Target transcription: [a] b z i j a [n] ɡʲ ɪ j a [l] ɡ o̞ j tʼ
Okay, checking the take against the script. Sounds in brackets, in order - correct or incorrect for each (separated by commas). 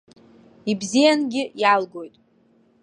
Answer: incorrect, correct, correct